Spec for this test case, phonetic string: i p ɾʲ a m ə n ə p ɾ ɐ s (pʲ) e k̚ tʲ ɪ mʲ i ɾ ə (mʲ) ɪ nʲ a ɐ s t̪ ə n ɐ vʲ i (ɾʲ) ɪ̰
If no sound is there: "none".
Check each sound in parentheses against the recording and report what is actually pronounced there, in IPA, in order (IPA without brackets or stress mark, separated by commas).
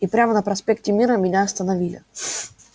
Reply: pʲ, mʲ, lʲ